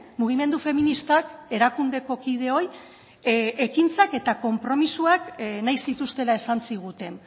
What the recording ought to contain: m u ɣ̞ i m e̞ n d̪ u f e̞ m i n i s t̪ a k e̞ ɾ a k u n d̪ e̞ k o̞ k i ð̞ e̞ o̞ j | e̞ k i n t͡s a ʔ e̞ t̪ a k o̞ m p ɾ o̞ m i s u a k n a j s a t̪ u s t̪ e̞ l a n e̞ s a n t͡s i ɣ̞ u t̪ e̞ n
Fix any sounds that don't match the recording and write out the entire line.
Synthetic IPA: m u ɣ̞ i m e̞ n d̪ u f e̞ m i n i s t̪ a k e̞ ɾ a k u n d̪ e̞ k o̞ k i ð̞ e̞ o̞ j | e̞ k i n t͡s a k e̞ t̪ a k o̞ m p ɾ o̞ m i s u a k n a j s i t̪ u s t̪ e̞ l a e̞ s a n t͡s i ɣ̞ u t̪ e̞ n